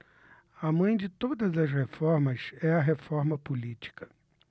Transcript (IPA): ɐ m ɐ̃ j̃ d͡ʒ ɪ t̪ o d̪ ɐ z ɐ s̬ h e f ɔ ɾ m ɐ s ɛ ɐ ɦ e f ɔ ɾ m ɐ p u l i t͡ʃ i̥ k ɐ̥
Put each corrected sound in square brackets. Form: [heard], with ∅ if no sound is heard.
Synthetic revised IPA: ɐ m ɐ̃ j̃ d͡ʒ ɪ t̪ o d̪ ɐ z ɐ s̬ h e f ɔ ɾ m ɐ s ɛ ɐ ɦ e f ɔ ɾ m ɐ p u l i t͡ʃ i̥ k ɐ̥